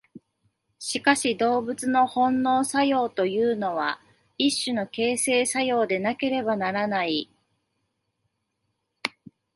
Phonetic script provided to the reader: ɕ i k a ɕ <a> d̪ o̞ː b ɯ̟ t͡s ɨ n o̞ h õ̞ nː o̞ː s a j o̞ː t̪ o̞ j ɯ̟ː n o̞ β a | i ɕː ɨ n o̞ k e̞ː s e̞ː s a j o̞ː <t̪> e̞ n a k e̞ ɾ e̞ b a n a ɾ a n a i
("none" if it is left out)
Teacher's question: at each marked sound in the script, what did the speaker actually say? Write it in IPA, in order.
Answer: i, d̪

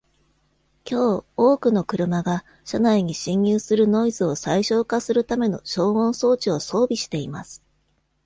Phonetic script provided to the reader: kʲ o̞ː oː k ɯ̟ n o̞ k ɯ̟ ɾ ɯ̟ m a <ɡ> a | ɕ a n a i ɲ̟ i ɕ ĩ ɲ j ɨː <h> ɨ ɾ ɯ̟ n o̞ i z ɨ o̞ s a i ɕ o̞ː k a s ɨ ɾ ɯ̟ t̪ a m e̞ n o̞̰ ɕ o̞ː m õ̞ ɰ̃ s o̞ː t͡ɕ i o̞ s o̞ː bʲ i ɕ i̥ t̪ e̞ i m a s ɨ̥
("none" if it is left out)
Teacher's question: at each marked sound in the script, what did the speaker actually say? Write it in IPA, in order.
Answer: ɡ, s

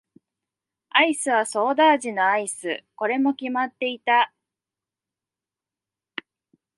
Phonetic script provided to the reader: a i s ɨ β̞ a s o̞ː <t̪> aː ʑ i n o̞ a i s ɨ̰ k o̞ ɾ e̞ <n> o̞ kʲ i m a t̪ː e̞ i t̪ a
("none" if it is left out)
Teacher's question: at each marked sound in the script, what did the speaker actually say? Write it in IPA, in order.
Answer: d̪, m

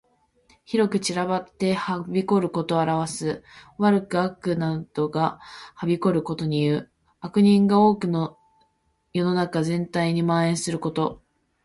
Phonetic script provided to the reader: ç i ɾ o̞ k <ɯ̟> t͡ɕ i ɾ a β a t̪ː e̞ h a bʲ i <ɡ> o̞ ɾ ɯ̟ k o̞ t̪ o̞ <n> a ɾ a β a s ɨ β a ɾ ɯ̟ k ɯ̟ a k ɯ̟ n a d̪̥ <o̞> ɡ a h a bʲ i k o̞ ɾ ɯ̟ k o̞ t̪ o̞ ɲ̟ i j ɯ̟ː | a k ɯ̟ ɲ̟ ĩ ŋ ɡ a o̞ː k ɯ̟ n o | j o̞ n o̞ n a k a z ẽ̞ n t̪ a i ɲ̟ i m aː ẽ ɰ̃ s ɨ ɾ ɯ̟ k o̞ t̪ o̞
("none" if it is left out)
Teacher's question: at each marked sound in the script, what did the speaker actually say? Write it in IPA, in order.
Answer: ɯ̟, k, none, o̞

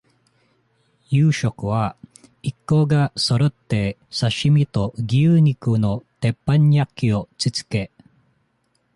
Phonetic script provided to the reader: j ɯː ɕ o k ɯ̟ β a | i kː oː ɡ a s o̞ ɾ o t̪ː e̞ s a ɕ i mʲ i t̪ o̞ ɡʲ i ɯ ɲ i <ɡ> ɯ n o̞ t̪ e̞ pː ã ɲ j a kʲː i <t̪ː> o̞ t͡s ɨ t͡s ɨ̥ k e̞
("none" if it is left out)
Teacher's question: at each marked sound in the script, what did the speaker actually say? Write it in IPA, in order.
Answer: k, none

